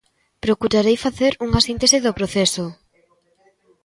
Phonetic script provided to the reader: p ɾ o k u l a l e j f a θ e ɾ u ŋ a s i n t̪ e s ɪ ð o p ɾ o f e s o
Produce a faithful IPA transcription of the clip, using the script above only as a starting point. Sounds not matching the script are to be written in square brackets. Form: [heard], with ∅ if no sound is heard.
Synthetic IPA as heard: p ɾ o k u [ɾ] a [ɾ] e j f a θ e ɾ u ŋ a s i n t̪ e s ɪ ð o p ɾ o [θ] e s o